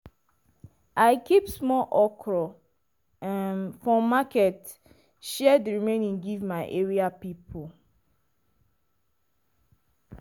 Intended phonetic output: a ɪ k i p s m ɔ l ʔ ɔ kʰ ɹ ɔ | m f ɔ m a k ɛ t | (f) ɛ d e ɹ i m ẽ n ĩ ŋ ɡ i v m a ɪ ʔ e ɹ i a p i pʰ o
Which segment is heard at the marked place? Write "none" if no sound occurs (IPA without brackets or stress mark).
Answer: ʃ